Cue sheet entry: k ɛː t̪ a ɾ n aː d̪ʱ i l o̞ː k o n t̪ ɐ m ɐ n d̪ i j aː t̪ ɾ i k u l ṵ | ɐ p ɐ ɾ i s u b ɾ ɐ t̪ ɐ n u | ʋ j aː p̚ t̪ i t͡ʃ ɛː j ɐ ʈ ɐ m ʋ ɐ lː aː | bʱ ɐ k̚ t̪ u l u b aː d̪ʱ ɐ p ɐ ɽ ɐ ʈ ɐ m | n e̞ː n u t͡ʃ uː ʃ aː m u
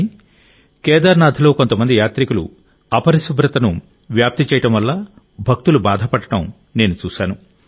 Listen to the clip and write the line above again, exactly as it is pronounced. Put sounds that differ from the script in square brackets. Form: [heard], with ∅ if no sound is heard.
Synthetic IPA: k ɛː [d̪] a ɾ n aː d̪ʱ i l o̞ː k o n t̪ ɐ m ɐ n d̪ i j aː t̪ ɾ i k u l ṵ | ɐ p ɐ ɾ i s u b ɾ ɐ t̪ ɐ n u | ʋ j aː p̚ t̪ i t͡ʃ ɛː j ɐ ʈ ɐ m ʋ ɐ lː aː | bʱ ɐ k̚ t̪ u l u b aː d̪ʱ ɐ p ɐ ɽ ɐ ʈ ɐ m | n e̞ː n u t͡ʃ uː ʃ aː [n] u

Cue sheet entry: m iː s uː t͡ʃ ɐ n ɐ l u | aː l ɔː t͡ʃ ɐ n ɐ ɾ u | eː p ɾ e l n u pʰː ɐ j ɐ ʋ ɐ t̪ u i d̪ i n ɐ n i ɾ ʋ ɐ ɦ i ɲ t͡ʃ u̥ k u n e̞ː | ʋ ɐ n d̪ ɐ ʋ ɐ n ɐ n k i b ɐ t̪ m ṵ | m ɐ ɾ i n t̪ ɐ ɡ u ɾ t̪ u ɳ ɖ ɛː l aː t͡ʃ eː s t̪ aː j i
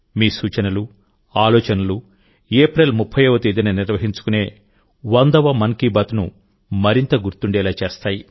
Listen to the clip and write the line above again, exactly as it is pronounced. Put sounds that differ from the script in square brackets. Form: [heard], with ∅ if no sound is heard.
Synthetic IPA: m iː s uː t͡ʃ ɐ n ɐ l u | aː l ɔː t͡ʃ ɐ n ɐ [l] u | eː p ɾ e l [m] u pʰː ɐ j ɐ ʋ ɐ t̪ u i d̪ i n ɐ n i ɾ ʋ ɐ ɦ i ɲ t͡ʃ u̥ k u n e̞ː | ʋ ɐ n d̪ ɐ ʋ ɐ [m] ɐ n k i b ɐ t̪ [n] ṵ | m ɐ ɾ i n t̪ ɐ ɡ u ɾ t̪ u ɳ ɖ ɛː l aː t͡ʃ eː s t̪ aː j i

